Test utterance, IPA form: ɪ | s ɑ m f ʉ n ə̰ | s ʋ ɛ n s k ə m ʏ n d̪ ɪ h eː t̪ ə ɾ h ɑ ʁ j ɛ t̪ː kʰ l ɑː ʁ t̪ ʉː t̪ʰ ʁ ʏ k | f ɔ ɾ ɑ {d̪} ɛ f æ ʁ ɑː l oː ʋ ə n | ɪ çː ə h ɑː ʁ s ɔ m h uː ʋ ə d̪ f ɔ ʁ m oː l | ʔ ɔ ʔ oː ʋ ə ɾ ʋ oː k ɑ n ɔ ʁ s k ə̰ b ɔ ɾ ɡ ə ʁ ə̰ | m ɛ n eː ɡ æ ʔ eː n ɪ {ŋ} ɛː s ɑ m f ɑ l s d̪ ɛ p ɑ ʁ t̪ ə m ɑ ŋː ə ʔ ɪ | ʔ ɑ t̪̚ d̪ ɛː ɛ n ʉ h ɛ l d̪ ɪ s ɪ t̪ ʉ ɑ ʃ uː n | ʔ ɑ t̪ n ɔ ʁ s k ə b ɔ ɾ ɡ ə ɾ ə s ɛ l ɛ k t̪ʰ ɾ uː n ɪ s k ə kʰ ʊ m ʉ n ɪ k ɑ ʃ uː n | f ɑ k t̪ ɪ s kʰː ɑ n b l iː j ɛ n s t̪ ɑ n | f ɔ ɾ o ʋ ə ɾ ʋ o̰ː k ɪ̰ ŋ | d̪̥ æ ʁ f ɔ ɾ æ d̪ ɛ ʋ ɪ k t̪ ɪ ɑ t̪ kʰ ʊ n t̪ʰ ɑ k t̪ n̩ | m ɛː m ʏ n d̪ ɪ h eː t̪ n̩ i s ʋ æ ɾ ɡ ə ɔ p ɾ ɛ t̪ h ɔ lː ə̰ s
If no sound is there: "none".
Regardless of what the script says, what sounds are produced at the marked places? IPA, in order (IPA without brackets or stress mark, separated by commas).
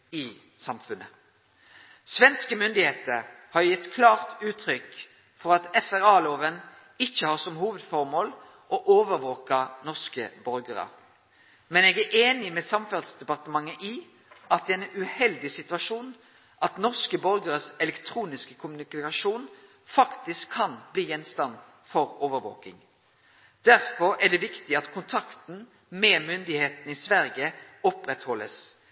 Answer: t̪, m